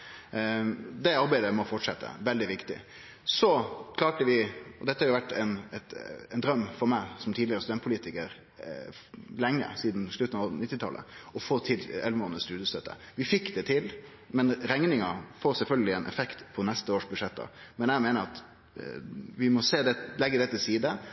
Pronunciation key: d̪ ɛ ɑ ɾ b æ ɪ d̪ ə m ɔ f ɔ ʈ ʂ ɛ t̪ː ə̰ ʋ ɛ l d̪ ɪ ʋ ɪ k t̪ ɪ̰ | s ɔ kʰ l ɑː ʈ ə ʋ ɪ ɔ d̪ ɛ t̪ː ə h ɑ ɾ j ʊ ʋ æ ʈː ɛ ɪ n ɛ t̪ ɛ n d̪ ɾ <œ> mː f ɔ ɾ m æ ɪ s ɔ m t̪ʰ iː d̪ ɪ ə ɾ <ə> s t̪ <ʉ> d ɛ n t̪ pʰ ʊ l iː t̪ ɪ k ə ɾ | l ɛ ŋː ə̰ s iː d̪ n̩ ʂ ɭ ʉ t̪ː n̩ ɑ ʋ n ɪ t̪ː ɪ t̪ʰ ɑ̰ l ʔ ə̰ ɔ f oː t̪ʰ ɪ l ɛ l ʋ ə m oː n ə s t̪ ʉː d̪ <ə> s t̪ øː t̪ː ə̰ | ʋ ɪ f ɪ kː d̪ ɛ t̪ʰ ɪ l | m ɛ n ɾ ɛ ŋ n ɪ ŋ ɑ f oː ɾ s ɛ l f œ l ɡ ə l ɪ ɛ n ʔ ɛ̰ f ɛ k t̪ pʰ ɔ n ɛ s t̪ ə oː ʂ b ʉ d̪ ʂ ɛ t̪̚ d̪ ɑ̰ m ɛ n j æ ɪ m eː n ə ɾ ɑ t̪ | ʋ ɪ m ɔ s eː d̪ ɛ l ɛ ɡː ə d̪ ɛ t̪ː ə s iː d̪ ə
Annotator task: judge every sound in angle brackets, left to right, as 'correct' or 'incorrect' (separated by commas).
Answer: correct, correct, correct, correct